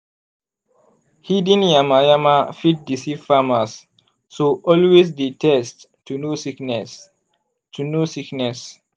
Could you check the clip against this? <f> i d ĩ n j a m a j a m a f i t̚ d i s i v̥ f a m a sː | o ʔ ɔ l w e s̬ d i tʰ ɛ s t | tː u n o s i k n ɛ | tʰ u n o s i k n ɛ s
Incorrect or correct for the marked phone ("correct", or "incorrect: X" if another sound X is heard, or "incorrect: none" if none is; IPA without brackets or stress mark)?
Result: incorrect: h